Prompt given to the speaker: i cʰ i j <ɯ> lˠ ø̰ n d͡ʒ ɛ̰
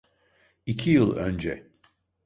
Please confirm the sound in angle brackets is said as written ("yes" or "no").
yes